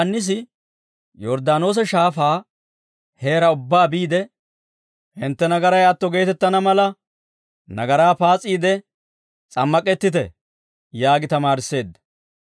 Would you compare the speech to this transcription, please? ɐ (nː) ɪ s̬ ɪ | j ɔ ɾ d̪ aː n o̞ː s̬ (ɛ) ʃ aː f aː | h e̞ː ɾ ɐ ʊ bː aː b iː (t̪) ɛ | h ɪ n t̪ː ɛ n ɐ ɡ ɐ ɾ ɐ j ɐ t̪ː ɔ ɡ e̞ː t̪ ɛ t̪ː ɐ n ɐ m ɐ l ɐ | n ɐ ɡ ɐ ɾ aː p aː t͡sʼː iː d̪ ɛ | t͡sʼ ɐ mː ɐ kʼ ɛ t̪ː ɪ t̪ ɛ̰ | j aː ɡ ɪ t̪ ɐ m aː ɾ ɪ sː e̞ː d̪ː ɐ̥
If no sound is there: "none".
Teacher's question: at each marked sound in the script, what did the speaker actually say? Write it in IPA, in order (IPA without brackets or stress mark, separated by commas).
nː, ɛ, d̪